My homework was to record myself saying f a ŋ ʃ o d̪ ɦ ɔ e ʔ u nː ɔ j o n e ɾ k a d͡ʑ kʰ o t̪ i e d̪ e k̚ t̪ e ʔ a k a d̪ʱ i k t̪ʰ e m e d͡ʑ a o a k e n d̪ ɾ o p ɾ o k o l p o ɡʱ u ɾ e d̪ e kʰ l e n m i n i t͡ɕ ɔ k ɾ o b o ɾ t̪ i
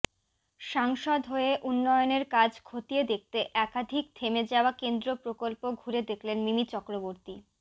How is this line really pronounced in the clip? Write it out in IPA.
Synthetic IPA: ʃ a ŋ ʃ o d̪ ɦ o e ʔ u nː ɔ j o n e ɾ k a d͡ʑ kʰ o t̪ i e d̪ e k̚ t̪ e ʔ ɛ k a d̪ʱ i k t̪ʰ e m e d͡ʑ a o a k e n d̪ ɾ o p ɾ o k o l p o ɡʱ u ɾ e d̪ e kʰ l e n m i m i t͡ɕ ɔ k ɾ o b o ɾ t̪ i

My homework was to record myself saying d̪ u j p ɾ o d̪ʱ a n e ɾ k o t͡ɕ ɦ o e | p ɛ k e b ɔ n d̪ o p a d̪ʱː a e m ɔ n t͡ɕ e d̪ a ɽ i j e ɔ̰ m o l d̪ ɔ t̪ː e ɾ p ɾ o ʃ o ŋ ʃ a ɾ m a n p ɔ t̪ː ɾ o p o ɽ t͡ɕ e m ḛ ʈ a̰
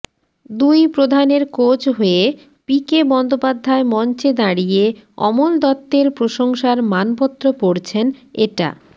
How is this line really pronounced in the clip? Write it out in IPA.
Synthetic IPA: d̪ u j p ɾ o d̪ʱ a n e ɾ k o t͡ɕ ɦ o e | p i k e b ɔ n d̪ o p a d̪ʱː a e m ɔ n t͡ɕ e d̪ a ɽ i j e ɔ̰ m o l d̪ ɔ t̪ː e ɾ p ɾ o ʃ o ŋ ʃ a ɾ m a n p ɔ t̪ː ɾ o p o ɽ t͡ɕʰ e n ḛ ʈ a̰

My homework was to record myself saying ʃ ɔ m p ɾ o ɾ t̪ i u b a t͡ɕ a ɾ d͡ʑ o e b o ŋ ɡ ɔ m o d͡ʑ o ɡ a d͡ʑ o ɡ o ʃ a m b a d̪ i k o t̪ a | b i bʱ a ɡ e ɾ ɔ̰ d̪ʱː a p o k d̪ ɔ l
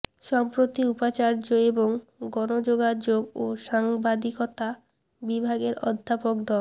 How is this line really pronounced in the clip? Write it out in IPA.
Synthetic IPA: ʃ ɔ m p ɾ o t̪ i u p a t͡ɕ a ɾ d͡ʑ o e b o ŋ ɡ ɔ n o d͡ʑ o ɡ a d͡ʑ o ɡ o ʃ a ŋ b a d̪ i k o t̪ a | b i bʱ a ɡ e ɾ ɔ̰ d̪ʱː a p o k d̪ ɔ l

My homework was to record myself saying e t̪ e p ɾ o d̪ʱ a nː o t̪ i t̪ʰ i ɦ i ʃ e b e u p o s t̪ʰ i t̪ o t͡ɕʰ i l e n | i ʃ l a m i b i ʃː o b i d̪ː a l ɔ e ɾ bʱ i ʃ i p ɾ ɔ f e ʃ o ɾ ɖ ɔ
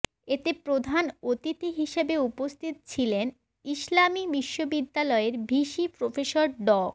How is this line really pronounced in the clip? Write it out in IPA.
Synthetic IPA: e t̪ e p ɾ o d̪ʱ a n o t̪ i t̪ i ɦ i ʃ e b e u p o s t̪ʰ i t̪ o t͡ɕʰ i l e n | i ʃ l a m i b i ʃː o b i d̪ː a l ɔ e ɾ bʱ i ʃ i p ɾ o f e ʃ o ɾ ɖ ɔ

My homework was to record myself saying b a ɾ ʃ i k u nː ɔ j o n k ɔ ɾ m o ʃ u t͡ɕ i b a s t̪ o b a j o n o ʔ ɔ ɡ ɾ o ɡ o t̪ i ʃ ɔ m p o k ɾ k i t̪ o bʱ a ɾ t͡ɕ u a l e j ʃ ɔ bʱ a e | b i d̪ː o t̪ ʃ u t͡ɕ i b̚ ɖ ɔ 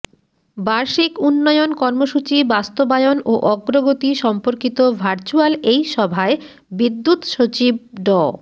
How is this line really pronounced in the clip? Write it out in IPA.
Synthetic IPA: b a ɾ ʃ i k u nː ɔ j o n k ɔ ɾ m o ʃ u t͡ɕ i b a s t̪ o b a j o n o ʔ ɔ ɡ ɾ o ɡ o t̪ i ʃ ɔ m p o ɾ k i t̪ o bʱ a ɾ t͡ɕ u a l e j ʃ ɔ bʱ a e | b i d̪ː u t̪ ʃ o t͡ɕ i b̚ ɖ ɔ

